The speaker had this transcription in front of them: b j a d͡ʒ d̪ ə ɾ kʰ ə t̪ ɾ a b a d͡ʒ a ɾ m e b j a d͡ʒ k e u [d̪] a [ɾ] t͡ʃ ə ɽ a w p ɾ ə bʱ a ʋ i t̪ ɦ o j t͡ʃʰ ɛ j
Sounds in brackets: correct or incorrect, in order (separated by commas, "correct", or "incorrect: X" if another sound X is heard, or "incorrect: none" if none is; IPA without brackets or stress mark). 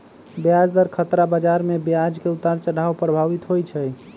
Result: incorrect: t̪, correct